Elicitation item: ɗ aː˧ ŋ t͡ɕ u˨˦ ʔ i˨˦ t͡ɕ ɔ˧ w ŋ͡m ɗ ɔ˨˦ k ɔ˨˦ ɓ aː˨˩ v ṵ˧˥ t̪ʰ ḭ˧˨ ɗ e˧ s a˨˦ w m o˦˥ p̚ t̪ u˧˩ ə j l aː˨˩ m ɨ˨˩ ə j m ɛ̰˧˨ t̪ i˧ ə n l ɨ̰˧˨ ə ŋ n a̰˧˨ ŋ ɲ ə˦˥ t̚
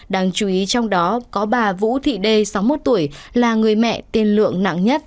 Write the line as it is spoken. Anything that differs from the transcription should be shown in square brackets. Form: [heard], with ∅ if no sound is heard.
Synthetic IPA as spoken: ɗ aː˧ ŋ t͡ɕ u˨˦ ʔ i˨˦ t͡ɕ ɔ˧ w ŋ͡m ɗ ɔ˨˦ k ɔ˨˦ ɓ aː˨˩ v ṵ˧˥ t̪ʰ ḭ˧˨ ɗ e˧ s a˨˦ w m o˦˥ [t̚] t̪ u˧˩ ə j l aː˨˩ [ŋ] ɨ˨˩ ə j m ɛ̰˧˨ t̪ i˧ ə n l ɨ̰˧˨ ə ŋ n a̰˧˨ ŋ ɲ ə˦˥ t̚

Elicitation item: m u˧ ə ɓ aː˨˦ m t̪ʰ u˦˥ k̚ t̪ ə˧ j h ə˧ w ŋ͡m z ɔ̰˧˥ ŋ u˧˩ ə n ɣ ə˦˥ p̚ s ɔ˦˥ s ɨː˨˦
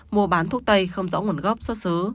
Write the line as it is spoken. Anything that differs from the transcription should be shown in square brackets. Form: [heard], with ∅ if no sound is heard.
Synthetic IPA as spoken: m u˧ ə ɓ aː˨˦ [n] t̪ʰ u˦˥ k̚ t̪ ə˧ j [x] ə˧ w ŋ͡m z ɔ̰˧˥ ŋ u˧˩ ə n ɣ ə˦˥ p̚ s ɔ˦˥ s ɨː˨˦

